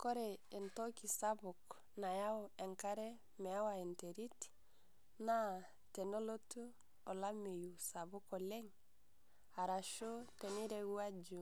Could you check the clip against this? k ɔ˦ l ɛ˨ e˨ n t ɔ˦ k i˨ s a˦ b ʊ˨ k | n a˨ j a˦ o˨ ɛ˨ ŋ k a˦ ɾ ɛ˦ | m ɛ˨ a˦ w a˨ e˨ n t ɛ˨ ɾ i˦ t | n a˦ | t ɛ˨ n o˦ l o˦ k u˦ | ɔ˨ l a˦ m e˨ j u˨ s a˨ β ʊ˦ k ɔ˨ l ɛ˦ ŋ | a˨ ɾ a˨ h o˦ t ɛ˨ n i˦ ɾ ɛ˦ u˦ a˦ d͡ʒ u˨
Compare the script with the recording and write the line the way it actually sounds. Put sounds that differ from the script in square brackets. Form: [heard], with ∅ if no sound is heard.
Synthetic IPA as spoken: k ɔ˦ [ɾ] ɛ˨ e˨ n t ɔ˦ k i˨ s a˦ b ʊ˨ k | n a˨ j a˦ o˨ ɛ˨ ŋ k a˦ ɾ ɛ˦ | m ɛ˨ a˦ w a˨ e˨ n t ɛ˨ ɾ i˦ t | n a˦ | t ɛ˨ n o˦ l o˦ [t] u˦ | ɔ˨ l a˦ m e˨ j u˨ s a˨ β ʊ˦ k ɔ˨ l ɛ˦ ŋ | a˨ ɾ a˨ [ʃ] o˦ t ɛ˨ n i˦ ɾ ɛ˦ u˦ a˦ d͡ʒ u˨